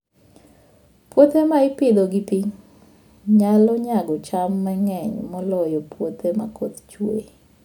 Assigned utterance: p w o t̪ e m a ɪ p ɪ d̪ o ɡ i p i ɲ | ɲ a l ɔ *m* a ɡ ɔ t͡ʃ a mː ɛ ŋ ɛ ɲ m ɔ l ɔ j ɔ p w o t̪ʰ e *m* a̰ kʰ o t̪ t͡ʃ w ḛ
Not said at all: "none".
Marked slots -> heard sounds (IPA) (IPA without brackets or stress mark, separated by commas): ɲ, m